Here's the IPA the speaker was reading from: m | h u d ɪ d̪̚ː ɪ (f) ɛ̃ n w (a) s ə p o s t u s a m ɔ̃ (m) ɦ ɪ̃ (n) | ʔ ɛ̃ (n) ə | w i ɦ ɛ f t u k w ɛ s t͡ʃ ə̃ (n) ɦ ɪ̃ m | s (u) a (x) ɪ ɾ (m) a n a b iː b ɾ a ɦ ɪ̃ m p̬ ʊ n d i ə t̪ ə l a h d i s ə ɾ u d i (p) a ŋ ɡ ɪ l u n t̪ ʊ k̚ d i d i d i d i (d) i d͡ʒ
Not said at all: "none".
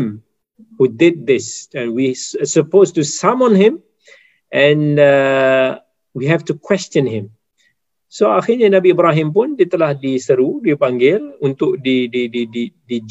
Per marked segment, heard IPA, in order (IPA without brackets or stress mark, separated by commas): s, i, n, m, n, n, o, x, ɲ, p, d